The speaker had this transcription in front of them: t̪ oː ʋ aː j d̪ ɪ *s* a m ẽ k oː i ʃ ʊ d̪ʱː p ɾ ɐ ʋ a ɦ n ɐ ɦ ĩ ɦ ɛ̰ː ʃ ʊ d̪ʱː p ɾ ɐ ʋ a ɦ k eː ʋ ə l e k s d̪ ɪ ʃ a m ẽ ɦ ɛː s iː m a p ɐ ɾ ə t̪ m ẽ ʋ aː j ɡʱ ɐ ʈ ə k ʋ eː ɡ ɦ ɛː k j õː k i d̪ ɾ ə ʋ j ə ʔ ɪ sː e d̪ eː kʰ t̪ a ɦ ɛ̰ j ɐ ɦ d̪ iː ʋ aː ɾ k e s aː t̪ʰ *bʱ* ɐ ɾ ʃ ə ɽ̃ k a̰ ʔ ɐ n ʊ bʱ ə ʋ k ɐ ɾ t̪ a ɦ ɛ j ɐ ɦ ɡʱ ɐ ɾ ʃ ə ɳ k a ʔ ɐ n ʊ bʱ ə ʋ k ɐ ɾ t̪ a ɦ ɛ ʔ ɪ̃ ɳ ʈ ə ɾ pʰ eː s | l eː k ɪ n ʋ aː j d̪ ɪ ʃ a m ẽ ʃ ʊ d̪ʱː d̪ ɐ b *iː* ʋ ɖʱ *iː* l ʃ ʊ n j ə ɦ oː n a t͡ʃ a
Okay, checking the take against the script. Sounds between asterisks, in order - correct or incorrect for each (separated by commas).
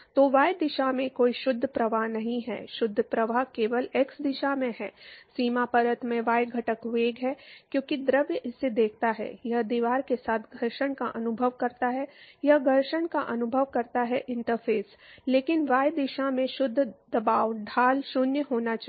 incorrect, incorrect, incorrect, incorrect